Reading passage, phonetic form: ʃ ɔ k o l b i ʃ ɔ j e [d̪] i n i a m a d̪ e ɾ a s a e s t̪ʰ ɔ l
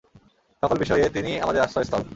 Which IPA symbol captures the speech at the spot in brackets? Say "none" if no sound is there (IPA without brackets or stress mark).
t̪